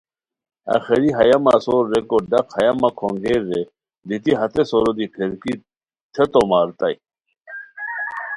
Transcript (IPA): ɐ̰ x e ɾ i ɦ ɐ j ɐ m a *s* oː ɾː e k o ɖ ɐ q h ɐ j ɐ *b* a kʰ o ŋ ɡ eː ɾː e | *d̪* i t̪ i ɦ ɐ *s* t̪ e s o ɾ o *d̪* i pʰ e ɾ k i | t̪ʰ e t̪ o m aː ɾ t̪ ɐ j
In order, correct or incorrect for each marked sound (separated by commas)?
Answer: correct, incorrect, correct, incorrect, correct